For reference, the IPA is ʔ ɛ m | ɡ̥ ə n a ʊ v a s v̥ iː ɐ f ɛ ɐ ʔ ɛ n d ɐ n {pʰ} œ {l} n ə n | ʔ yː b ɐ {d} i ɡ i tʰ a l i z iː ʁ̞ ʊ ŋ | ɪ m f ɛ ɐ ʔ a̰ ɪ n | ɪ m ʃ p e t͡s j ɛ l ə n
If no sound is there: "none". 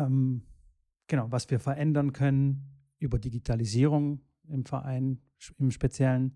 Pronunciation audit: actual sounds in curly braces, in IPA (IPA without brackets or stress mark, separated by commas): kʰ, none, d